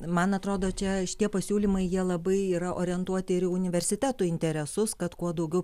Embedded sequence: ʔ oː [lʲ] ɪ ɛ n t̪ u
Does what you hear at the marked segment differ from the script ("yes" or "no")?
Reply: yes